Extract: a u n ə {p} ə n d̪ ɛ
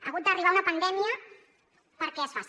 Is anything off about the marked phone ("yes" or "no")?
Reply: no